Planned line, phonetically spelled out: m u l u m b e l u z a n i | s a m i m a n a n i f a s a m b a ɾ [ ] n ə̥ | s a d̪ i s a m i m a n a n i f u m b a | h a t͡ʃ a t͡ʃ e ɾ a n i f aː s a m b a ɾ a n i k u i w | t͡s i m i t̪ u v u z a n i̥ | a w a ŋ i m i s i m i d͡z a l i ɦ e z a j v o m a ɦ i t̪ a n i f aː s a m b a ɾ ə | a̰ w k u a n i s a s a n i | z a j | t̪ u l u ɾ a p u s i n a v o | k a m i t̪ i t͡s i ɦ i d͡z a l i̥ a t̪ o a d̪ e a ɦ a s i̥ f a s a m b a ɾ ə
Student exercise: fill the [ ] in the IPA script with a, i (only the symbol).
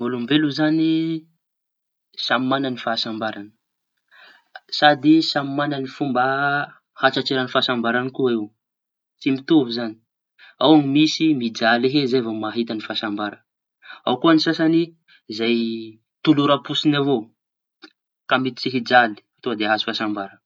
a